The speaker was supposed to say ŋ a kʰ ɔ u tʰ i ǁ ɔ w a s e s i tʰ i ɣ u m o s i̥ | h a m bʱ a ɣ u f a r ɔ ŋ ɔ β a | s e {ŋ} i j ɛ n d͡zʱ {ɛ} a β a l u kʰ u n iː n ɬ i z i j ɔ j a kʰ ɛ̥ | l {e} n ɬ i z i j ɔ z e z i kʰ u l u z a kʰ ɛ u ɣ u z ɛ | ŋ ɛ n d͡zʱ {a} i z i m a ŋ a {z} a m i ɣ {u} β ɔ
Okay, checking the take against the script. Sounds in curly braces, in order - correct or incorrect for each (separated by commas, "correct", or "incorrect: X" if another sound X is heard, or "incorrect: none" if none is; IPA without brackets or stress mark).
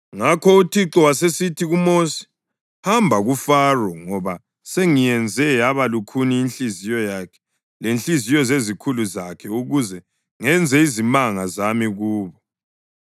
correct, correct, correct, incorrect: ɛ, correct, incorrect: uː